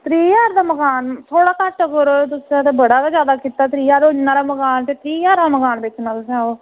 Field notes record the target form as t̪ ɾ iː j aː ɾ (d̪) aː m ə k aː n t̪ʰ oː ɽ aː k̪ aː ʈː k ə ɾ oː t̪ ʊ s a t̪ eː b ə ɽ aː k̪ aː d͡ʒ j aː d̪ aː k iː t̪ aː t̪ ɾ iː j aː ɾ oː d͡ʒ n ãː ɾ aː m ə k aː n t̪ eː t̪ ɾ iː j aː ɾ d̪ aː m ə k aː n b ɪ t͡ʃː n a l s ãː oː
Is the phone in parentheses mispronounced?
no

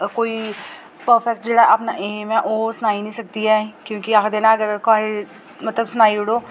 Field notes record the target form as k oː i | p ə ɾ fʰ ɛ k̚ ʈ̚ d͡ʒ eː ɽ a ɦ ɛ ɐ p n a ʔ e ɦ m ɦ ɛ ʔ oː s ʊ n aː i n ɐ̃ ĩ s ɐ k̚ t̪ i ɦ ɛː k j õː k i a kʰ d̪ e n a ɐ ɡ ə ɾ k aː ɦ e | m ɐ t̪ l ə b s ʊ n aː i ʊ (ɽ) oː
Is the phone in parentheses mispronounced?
no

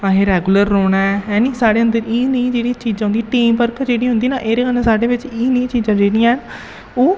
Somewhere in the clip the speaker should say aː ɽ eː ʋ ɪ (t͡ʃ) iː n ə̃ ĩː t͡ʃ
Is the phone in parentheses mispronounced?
no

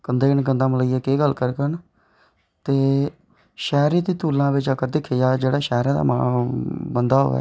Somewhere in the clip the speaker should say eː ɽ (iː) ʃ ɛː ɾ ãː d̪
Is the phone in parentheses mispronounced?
yes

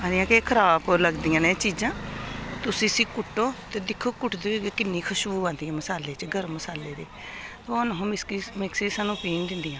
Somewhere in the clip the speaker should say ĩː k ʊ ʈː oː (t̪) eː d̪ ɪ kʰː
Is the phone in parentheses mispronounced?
no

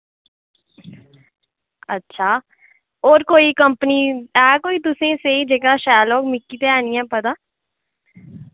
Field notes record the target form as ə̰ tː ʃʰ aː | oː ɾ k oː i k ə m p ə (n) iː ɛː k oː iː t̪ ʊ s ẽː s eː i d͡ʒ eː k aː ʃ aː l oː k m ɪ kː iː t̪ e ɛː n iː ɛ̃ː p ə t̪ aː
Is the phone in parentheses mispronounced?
no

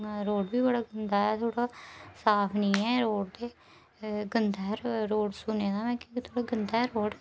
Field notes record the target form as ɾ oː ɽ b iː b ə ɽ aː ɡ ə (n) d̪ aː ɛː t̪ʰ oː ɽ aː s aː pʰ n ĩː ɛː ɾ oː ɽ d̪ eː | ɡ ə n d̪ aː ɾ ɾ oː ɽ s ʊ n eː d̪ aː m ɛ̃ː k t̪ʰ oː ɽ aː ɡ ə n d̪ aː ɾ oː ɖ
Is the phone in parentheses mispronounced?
no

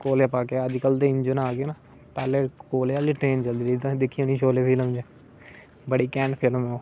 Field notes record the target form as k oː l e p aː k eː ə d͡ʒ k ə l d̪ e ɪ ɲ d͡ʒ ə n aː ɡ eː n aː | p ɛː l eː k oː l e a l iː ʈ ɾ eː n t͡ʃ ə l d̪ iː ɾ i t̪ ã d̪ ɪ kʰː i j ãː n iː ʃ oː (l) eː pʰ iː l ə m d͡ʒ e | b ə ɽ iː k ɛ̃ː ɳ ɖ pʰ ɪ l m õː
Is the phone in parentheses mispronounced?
no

